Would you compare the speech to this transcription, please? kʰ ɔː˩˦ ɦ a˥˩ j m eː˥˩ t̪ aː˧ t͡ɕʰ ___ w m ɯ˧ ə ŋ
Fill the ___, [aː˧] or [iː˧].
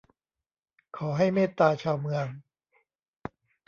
aː˧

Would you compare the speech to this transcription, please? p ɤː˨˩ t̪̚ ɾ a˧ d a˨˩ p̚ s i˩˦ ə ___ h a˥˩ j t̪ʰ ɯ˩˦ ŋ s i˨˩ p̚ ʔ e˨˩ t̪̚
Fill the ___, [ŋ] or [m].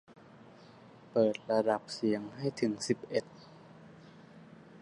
ŋ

